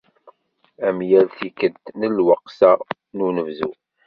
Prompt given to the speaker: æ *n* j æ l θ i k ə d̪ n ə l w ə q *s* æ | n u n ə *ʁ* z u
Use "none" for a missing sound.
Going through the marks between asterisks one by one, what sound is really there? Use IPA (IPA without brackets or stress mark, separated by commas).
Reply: m, s, v